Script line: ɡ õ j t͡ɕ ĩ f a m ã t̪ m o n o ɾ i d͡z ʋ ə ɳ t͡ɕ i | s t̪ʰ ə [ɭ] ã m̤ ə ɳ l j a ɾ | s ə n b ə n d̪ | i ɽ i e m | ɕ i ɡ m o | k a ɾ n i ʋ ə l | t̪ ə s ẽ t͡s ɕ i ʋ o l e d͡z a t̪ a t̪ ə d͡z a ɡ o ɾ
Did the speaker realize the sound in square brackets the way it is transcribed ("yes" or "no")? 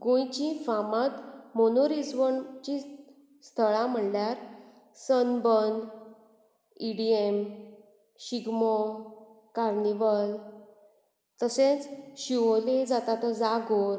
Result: yes